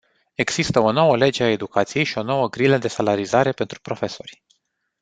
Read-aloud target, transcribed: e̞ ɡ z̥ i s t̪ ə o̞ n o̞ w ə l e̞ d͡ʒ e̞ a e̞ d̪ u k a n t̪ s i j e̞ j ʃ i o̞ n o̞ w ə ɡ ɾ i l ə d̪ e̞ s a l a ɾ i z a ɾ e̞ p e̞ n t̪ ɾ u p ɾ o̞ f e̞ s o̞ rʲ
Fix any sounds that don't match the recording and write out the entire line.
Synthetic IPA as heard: e̞ ɡ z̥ i s t̪ ə o̞ n o̞ w ə l e̞ d͡ʒ e̞ a e̞ d̪ u k a t̪ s i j e̞ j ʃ i o̞ n o̞ w ə ɡ ɾ i l ə d̪ e̞ s a l a ɾ i z a ɾ e̞ p e̞ n t̪ ɾ u p ɾ o̞ f e̞ s o̞ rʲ